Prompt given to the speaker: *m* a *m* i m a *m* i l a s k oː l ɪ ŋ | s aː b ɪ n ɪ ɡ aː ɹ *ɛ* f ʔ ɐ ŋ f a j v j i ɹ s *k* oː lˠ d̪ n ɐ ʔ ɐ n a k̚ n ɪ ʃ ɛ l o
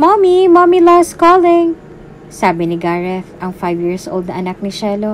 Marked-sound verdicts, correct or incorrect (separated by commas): correct, correct, correct, correct, incorrect